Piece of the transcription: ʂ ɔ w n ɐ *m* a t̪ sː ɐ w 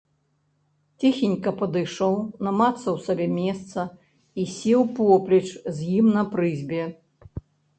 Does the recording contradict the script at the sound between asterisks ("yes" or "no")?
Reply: no